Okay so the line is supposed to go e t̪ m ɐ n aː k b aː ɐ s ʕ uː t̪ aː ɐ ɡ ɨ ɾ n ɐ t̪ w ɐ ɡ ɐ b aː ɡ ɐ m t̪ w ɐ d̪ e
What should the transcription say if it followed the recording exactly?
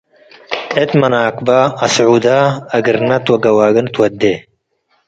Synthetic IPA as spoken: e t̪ m ɐ n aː k b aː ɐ s ʕ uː d̪ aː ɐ ɡ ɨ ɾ n ɐ t̪ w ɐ ɡ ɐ w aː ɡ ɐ n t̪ w ɐ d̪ e